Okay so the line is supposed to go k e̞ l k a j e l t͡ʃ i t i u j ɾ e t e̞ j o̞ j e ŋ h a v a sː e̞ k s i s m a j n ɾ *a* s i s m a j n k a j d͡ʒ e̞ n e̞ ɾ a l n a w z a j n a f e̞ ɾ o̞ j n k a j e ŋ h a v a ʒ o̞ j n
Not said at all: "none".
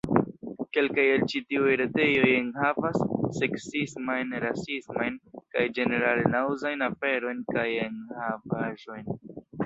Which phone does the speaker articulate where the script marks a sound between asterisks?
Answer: a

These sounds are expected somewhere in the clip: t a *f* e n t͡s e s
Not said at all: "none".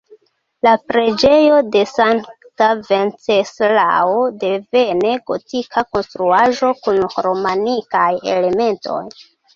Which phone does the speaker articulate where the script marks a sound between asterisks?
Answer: v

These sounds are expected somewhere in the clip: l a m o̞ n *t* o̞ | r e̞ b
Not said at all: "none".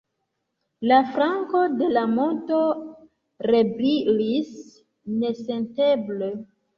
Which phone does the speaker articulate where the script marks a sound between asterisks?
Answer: t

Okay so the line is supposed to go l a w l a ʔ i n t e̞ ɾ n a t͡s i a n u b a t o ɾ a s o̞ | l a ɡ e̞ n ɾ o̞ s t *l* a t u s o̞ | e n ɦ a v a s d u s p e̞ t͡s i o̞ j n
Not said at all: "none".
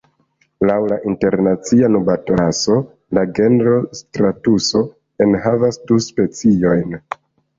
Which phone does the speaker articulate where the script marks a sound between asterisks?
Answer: ɾ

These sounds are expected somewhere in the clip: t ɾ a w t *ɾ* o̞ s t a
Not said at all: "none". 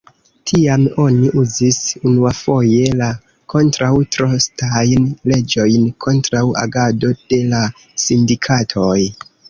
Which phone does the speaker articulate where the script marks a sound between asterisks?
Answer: ɾ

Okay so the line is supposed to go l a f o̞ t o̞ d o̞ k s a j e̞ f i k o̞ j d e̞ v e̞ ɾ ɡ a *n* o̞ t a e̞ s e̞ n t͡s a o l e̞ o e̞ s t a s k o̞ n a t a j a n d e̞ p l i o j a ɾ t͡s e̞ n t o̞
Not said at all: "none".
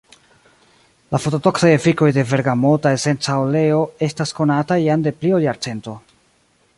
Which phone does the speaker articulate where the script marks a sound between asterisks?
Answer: m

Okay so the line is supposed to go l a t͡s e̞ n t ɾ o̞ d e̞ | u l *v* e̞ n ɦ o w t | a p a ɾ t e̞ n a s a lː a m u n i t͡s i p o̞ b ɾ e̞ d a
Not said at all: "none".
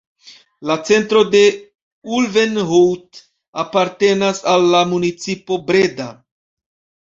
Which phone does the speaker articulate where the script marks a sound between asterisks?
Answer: v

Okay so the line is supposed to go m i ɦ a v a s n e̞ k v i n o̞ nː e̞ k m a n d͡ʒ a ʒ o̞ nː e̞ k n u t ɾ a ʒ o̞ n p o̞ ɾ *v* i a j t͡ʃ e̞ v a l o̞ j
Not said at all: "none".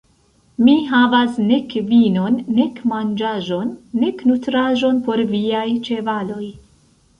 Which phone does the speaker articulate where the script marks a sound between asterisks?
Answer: v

